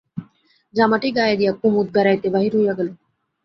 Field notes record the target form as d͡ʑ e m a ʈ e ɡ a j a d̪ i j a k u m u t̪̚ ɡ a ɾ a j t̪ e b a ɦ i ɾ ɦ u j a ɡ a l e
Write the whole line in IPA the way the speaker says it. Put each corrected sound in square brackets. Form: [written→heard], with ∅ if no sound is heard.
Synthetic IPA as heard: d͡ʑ [e→a] m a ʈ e ɡ a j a d̪ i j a k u m u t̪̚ ɡ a ɾ a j t̪ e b a ɦ i ɾ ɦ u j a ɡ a l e